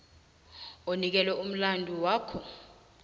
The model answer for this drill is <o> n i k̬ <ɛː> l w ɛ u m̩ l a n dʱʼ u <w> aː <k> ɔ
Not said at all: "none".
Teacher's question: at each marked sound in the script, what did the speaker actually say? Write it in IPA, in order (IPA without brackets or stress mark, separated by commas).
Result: o, ɛ, w, kʰ